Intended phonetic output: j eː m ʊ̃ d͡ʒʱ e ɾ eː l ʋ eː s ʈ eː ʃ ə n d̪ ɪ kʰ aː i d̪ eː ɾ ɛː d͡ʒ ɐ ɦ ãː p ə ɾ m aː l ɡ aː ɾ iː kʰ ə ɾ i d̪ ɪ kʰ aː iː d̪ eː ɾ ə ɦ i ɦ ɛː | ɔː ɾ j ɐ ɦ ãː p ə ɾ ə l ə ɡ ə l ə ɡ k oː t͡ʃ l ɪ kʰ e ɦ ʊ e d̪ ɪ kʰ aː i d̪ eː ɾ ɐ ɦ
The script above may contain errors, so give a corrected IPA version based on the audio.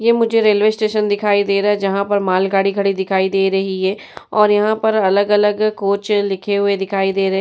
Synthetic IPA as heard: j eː m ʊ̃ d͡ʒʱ e ɾ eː l ʋ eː s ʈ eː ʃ ə n d̪ ɪ kʰ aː i d̪ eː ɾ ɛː d͡ʒ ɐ ɦ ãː p ə ɾ m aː l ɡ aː ɽ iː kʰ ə ɽ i d̪ ɪ kʰ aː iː d̪ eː ɾ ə ɦ i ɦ ɛː | ɔː ɾ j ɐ ɦ ãː p ə ɾ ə l ə ɡ ə l ə ɡ k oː t͡ʃ l ɪ kʰ e ɦ ʊ e d̪ ɪ kʰ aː i d̪ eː ɾ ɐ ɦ